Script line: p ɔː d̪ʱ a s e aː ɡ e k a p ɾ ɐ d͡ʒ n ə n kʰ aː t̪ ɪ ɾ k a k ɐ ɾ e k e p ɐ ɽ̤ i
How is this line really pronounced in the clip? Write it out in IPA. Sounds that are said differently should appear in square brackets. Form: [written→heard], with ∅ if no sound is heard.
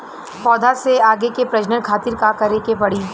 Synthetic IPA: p ɔː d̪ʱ a s e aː ɡ e k [a→e] p ɾ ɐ d͡ʒ n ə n kʰ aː t̪ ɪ ɾ k a k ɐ ɾ e k e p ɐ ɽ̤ i